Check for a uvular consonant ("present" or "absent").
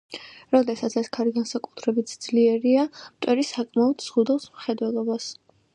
present